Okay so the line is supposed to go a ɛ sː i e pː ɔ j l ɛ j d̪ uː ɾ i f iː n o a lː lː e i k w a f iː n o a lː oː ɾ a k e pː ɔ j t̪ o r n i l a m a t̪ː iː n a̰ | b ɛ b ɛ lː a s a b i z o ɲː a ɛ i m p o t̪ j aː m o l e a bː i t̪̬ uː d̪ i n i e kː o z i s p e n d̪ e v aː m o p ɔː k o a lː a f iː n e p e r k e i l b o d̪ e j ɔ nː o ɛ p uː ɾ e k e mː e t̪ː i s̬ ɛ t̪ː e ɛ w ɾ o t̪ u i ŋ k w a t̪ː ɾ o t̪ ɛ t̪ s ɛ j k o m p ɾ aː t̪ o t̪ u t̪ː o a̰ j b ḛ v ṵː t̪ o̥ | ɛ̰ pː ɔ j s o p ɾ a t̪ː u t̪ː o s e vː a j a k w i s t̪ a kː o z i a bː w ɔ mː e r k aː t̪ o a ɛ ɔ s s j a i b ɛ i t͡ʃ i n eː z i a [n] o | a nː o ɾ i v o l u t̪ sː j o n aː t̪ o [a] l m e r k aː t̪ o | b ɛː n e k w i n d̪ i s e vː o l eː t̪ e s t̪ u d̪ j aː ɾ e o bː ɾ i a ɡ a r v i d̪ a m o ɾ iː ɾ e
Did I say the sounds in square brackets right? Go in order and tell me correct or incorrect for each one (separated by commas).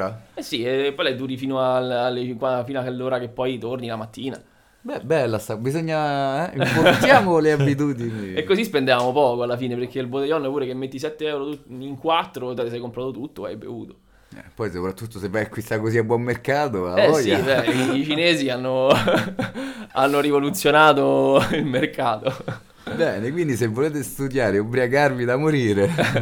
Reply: incorrect, incorrect